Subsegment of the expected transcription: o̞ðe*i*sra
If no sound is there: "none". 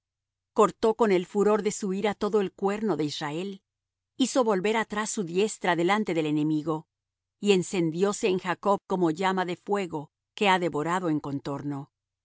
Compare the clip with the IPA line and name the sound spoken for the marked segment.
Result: i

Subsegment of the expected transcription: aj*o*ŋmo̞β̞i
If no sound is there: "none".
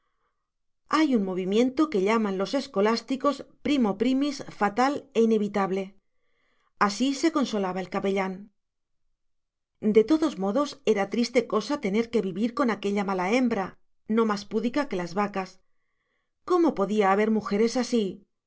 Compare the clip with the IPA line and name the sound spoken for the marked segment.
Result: u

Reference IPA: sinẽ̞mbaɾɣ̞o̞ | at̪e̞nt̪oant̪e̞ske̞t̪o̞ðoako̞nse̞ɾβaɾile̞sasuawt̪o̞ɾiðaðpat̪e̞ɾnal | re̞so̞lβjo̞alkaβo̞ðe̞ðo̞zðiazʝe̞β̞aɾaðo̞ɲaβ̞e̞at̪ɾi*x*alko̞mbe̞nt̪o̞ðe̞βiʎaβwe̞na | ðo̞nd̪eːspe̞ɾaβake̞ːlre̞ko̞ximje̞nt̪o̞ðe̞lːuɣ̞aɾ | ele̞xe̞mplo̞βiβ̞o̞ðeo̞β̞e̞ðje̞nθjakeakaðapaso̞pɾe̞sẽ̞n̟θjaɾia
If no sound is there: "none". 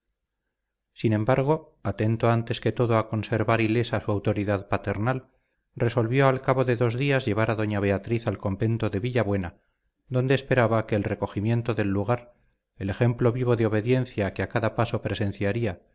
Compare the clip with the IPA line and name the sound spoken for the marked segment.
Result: θ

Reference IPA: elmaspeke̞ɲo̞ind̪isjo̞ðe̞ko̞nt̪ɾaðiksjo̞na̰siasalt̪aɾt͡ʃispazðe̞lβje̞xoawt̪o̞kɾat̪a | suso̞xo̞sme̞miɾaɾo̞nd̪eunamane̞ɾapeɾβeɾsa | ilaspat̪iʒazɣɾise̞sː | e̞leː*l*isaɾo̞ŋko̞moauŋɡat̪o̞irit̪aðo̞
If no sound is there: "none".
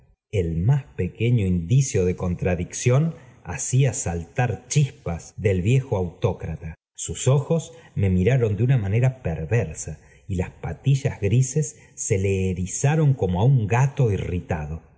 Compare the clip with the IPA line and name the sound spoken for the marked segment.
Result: ɾ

